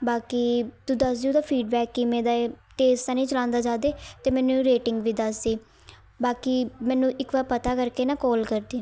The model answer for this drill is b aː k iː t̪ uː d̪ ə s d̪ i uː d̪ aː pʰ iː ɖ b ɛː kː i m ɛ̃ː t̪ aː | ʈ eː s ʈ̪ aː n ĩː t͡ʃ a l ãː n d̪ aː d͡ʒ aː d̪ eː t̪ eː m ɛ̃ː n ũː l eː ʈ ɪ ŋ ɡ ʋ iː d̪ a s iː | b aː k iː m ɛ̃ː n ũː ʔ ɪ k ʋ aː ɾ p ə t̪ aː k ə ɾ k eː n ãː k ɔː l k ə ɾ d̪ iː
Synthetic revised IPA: b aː k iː t̪ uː d̪ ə s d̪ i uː d̪ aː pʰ iː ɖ b ɛː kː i m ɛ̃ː d̪ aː | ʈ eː s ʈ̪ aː n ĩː t͡ʃ ə l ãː n d̪ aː d͡ʒ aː d̪ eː t̪ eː m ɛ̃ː n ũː ɾ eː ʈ ɪ ŋ ɡ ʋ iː d̪ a s iː | b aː k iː m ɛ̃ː n ũː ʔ ɪ k ʋ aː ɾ p ə t̪ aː k ə ɾ k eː n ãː k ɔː l k ə ɾ d̪ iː